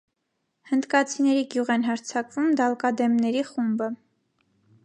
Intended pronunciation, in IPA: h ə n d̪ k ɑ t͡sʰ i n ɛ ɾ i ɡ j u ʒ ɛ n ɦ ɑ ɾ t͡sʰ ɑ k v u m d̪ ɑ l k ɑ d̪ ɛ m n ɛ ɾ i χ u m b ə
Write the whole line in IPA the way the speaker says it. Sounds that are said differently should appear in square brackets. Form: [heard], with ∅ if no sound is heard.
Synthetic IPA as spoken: h ə n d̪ k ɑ t͡sʰ i n ɛ ɾ i ɡ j u [ʁ] ɛ n ɦ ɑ ɾ t͡sʰ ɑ k v u m d̪ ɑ l k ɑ d̪ ɛ m n ɛ ɾ i χ u m b ə